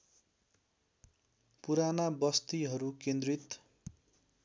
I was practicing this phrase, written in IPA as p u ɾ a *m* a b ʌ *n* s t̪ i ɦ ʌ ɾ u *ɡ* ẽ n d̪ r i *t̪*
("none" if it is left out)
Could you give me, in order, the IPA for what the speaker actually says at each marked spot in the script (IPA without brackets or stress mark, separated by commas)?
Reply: n, none, k, t̪